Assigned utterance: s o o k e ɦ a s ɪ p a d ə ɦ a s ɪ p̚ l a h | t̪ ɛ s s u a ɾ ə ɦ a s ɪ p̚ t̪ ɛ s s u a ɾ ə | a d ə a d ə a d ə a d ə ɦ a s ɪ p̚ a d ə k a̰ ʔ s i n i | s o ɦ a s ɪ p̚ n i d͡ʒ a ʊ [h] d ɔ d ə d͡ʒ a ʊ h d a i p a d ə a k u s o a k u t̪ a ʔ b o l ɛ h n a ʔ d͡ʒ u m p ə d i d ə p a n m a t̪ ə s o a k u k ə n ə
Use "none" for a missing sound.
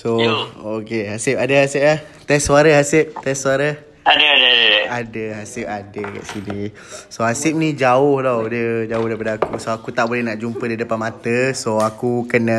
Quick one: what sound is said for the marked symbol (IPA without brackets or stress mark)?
h